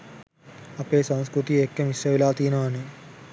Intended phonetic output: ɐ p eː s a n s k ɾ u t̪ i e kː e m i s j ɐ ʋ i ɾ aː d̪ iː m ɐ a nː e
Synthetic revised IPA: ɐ p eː s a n s k ɾ u t̪ i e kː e m i s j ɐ ʋ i l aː t̪ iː n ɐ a n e